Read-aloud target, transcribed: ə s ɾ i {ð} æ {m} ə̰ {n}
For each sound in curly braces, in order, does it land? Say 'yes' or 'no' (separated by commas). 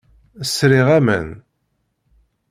no, yes, yes